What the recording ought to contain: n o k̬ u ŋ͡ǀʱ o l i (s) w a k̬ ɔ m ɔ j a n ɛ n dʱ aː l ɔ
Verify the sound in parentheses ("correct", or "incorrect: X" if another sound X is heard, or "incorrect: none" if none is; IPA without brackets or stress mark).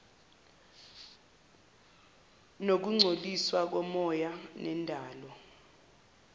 correct